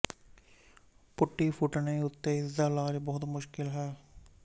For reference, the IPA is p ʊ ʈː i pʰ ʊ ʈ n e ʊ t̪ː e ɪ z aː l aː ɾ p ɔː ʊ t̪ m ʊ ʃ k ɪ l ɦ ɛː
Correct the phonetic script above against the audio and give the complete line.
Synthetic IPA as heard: p ʊ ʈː i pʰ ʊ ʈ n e ʊ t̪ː e ɪ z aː l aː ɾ b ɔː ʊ t̪ m ʊ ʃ k ɪ l ɦ ɛː